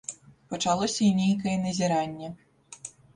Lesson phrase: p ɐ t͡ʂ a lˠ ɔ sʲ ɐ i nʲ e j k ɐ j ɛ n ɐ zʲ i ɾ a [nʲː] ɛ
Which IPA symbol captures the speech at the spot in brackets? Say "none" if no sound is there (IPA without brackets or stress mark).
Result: nʲː